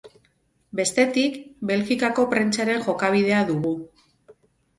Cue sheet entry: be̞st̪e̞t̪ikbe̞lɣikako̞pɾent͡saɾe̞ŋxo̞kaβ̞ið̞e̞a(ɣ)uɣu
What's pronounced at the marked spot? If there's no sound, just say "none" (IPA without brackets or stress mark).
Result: ð